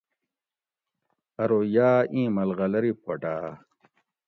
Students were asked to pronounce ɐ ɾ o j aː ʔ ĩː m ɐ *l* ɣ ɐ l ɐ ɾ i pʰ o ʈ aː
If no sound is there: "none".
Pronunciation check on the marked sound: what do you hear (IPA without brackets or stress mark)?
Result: l